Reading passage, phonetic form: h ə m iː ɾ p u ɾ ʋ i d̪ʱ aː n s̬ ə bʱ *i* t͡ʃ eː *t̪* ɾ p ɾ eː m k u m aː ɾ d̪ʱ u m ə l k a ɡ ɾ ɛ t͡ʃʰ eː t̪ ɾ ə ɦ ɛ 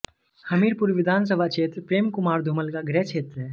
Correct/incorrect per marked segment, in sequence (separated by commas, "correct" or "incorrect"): incorrect, correct